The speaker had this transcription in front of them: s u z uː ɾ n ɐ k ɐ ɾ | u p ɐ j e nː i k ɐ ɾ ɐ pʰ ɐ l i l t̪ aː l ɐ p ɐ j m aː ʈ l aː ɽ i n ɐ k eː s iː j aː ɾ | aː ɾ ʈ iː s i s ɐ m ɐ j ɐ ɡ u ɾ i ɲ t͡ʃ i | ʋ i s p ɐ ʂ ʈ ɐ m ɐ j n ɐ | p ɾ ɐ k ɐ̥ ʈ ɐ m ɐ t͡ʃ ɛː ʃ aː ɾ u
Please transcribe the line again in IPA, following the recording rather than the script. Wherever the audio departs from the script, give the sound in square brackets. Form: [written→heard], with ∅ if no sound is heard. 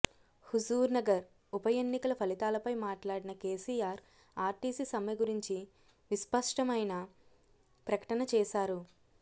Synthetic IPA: [s→h] u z uː ɾ n ɐ [k→ɡ] ɐ ɾ | u p ɐ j e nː i k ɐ [ɾ→l] ɐ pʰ ɐ l i [l→∅] t̪ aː l ɐ p ɐ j m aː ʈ l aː ɽ i n ɐ k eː s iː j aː ɾ | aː ɾ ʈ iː s i s ɐ m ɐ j ɐ ɡ u ɾ i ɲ t͡ʃ i | ʋ i s p ɐ ʂ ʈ ɐ m ɐ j n ɐ | p ɾ ɐ k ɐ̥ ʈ ɐ [m→n] ɐ t͡ʃ ɛː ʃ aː ɾ u

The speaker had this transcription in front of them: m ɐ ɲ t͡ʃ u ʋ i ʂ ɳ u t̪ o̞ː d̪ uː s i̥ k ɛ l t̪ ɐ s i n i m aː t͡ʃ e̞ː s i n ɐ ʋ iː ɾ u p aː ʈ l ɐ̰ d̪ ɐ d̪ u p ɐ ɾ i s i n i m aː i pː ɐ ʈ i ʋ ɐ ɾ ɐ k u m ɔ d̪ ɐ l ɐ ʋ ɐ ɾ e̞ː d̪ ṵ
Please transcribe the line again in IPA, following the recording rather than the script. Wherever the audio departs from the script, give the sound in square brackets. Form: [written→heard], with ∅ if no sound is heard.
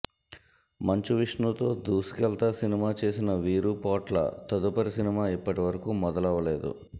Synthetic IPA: m ɐ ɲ t͡ʃ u ʋ i ʂ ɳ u t̪ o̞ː d̪ uː s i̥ k ɛ l t̪ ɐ s i n i m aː t͡ʃ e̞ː s i n ɐ ʋ iː ɾ u p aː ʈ l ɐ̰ [d̪→t̪] ɐ d̪ u p ɐ ɾ i s i n i m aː i pː ɐ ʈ i ʋ ɐ ɾ ɐ k u m ɔ d̪ ɐ l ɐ ʋ ɐ [ɾ→l] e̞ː d̪ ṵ

